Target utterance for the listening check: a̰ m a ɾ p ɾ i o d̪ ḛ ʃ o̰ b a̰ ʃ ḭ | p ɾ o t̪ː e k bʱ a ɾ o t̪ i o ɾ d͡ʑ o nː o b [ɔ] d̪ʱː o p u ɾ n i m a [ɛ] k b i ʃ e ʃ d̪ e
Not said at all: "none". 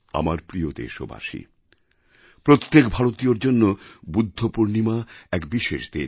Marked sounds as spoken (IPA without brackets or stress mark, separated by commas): u, ɛ